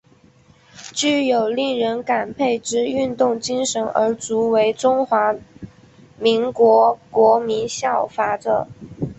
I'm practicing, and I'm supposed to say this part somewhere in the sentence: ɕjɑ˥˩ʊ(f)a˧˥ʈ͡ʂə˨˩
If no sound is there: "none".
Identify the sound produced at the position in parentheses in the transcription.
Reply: f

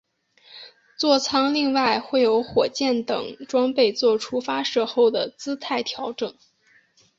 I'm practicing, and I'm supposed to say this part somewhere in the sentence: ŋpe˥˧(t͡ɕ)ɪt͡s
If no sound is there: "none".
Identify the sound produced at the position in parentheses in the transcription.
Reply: none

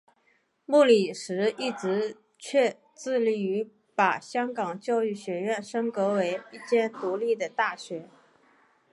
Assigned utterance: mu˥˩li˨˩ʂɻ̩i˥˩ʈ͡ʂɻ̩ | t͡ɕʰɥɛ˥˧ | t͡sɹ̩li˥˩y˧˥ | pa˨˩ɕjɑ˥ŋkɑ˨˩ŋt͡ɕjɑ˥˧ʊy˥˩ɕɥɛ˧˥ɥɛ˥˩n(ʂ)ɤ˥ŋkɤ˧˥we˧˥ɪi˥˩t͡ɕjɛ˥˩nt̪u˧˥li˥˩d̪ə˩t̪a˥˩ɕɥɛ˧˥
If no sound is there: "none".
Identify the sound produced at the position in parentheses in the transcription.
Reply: ʂ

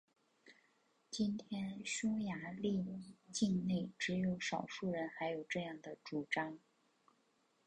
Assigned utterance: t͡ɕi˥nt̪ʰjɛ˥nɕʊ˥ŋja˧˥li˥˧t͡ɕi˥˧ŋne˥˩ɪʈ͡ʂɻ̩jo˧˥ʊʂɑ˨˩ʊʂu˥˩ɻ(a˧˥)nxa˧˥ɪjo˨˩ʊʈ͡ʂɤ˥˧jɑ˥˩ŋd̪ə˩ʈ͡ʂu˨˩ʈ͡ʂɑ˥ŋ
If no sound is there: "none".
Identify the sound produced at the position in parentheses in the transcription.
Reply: ə˧˥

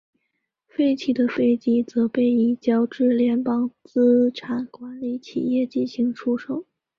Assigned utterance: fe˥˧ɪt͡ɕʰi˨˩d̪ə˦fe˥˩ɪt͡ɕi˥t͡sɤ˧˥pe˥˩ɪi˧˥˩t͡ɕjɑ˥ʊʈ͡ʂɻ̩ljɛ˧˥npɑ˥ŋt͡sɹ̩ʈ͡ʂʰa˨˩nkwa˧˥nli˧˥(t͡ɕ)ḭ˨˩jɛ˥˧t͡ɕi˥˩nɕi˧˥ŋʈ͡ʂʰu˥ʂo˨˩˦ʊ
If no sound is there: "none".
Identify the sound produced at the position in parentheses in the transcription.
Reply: t͡ɕʰ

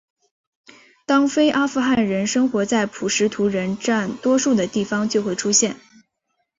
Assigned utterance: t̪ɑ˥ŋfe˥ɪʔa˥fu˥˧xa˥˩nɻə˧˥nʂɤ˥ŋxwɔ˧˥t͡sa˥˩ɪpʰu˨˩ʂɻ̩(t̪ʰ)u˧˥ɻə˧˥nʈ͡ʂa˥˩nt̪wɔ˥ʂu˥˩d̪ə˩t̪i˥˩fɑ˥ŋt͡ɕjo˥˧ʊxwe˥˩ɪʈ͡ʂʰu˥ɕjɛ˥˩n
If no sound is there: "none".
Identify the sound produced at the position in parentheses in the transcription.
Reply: t̪ʰ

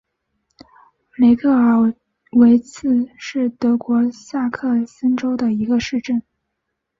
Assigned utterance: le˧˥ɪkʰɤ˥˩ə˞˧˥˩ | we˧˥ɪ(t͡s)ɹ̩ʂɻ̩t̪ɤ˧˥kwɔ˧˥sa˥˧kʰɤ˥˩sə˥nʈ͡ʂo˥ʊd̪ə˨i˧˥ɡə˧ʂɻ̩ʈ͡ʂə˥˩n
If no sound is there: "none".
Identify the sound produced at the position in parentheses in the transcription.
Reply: t͡sʰ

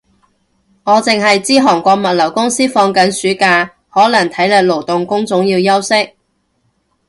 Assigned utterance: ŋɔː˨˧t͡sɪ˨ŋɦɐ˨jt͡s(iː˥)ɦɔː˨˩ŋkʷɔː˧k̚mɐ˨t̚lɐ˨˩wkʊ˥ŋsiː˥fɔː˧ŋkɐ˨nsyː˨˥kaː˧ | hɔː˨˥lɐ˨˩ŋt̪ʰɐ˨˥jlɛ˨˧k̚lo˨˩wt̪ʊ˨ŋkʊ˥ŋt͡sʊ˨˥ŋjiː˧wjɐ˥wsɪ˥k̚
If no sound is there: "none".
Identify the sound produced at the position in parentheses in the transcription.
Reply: iː˥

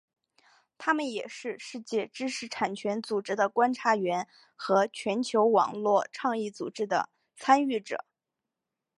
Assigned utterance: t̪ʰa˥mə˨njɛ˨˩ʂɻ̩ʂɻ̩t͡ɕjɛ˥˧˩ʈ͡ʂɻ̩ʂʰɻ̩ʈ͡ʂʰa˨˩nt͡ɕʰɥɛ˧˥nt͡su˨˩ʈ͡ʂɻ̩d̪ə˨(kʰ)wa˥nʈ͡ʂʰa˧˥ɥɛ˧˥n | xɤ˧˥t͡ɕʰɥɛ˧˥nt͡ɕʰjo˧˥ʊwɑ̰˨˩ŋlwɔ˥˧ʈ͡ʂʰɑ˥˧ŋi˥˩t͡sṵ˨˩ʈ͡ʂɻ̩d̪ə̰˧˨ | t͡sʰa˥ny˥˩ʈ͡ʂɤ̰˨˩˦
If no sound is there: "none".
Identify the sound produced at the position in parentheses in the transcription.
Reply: k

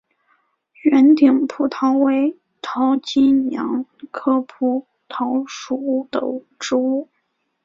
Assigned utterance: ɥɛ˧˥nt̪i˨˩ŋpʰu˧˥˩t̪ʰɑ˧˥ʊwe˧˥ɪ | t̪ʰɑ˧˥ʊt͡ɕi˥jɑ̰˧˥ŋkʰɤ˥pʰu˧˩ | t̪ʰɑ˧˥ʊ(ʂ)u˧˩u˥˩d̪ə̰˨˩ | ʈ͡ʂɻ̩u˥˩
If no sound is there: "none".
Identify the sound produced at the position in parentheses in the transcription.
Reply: ʂ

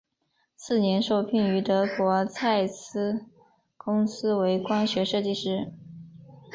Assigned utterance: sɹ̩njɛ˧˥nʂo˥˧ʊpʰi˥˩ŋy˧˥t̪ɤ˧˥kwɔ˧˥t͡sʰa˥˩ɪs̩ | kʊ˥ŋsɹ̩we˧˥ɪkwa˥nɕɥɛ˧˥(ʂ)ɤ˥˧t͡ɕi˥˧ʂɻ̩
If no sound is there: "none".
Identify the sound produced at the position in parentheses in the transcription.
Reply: ʂ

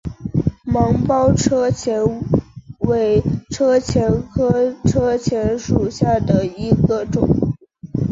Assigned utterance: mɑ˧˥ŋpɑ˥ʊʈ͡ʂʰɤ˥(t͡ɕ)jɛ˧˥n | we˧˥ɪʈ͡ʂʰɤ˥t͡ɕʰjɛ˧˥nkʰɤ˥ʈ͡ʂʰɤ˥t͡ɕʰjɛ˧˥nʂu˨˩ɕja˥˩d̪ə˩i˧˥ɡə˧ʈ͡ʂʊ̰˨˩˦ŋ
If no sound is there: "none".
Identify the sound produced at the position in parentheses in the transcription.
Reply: t͡ɕʰ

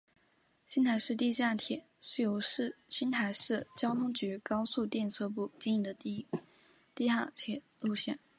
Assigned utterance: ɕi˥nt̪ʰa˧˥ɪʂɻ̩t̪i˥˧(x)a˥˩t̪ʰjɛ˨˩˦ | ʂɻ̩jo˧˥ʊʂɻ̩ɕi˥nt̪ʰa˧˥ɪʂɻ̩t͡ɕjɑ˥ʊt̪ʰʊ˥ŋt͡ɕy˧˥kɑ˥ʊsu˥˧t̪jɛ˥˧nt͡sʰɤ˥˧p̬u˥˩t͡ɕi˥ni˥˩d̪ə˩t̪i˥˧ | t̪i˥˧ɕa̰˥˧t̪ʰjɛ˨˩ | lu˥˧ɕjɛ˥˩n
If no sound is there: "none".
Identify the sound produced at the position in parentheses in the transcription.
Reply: ɕ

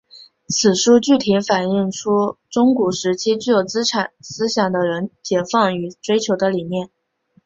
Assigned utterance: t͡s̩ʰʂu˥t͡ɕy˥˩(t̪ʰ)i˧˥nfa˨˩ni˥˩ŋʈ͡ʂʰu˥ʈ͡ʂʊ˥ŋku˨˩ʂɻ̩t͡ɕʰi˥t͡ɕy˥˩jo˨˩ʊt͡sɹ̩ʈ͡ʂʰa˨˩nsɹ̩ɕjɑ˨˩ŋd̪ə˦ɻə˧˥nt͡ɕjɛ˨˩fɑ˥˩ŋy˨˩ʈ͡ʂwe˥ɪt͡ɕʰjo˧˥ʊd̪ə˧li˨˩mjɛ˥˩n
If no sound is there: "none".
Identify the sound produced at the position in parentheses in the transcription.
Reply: t̪ʰ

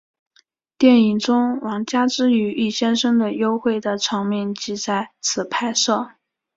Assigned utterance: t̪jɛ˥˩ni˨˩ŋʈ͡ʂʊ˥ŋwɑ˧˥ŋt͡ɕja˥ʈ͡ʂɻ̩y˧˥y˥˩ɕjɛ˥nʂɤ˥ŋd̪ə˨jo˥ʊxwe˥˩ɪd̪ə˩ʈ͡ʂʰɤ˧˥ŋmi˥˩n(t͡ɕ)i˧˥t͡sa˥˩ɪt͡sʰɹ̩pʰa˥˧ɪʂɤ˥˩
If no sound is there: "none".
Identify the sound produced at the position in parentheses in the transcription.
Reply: t͡ɕ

